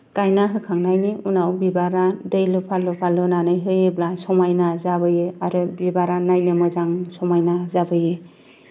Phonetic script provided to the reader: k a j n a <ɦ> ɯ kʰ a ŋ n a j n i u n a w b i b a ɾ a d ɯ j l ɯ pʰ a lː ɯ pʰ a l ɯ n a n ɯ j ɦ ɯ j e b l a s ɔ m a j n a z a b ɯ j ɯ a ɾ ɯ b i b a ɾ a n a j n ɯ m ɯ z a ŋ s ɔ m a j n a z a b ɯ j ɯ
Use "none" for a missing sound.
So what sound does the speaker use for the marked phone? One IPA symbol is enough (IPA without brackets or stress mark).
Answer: ɦ